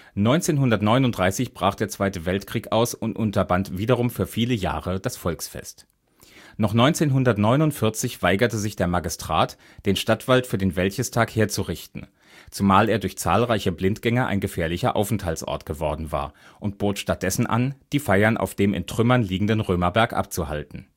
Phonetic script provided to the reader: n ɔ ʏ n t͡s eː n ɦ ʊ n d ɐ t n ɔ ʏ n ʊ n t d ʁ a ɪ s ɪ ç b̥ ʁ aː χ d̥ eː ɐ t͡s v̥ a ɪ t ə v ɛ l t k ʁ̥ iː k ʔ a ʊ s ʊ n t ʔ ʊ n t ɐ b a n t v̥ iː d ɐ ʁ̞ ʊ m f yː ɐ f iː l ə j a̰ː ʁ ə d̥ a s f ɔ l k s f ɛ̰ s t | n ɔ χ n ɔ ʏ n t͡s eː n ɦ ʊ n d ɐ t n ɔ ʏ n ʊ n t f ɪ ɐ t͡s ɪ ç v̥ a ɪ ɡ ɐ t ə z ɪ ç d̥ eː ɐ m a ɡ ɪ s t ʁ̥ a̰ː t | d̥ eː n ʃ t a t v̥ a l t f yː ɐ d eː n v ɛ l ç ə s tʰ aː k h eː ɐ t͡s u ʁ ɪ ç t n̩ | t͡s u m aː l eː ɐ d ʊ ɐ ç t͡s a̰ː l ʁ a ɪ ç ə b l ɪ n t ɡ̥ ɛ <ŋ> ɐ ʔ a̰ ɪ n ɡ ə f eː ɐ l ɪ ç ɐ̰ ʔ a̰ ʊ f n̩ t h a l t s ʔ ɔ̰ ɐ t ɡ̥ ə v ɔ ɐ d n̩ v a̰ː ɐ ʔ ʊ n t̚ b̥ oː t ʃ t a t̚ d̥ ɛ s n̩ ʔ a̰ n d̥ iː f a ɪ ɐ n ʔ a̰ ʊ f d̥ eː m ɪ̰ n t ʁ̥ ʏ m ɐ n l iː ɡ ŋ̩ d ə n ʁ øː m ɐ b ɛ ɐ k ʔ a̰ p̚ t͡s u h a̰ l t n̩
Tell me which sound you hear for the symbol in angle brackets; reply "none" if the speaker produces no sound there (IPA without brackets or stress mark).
ŋ